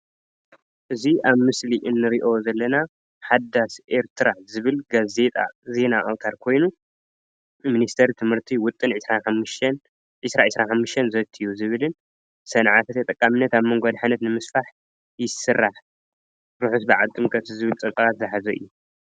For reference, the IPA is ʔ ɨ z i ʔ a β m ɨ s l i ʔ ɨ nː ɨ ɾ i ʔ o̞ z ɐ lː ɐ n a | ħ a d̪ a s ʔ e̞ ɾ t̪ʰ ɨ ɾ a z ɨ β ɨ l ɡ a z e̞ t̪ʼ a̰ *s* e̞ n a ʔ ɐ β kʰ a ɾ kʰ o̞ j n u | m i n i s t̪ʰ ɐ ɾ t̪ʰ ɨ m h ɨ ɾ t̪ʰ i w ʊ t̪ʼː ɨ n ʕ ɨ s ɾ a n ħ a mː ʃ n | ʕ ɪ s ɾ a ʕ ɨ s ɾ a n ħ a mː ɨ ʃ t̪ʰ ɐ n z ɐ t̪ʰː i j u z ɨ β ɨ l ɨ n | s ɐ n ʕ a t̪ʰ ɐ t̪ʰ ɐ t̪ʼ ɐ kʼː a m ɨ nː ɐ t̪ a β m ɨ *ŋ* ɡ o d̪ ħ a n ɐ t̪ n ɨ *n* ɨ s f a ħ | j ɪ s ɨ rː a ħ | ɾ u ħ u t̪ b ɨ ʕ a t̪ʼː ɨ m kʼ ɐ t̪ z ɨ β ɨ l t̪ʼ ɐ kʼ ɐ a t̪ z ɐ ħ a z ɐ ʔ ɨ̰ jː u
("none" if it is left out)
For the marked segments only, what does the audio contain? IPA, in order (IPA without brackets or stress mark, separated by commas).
z, ŋ, m